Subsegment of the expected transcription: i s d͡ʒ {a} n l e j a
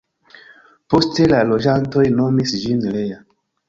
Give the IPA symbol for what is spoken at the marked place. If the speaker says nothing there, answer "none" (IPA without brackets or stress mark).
i